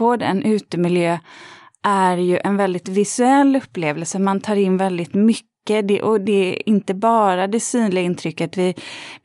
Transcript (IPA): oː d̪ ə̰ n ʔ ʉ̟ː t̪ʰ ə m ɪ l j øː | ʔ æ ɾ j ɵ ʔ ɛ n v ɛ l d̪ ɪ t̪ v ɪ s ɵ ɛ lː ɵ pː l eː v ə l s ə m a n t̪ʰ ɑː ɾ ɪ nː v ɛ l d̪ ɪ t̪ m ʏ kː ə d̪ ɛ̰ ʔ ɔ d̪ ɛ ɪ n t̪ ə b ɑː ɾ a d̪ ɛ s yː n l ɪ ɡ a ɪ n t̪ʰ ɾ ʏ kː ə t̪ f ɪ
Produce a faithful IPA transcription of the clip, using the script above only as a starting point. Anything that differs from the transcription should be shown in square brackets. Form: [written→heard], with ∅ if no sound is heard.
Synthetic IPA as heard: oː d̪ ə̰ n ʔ ʉ̟ː [t̪ʰ→t̪] ə m ɪ l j øː | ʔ æ ɾ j ɵ ʔ ɛ n v ɛ l d̪ ɪ t̪ v ɪ s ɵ ɛ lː ɵ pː l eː v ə l s ə m a n t̪ʰ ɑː ɾ ɪ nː v ɛ l d̪ ɪ t̪ m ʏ kː ə d̪ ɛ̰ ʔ ɔ d̪ ɛ ɪ n t̪ ə b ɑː ɾ a d̪ ɛ s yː n l ɪ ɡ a ɪ n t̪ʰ ɾ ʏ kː ə t̪ [f→v] ɪ